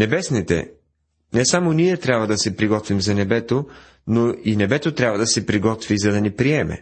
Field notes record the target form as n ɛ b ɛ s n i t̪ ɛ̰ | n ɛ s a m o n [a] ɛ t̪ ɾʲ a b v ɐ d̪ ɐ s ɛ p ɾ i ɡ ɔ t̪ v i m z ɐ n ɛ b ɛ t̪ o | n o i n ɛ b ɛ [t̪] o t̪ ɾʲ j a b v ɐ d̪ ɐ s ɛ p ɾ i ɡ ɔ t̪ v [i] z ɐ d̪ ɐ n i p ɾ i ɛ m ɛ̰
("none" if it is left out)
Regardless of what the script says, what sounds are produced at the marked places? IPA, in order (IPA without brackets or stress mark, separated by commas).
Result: i, t̪, i